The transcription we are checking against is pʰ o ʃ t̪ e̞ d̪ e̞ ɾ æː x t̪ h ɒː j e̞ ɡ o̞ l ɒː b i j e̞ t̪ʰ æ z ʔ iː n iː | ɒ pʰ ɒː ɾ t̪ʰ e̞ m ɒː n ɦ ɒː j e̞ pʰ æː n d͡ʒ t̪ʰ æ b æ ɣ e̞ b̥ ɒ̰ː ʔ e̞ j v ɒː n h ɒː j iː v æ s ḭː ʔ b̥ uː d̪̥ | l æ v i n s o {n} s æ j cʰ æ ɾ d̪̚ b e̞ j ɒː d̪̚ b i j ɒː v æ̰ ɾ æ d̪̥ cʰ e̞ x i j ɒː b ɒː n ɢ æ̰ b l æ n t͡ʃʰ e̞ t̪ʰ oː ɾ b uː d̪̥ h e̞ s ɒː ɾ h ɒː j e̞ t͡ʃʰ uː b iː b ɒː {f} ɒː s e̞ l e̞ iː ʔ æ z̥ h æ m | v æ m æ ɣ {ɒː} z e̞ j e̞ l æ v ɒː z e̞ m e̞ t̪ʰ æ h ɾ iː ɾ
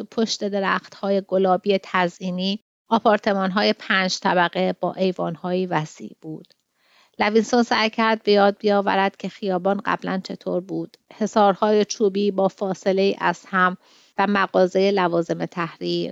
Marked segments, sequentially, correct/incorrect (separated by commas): correct, correct, correct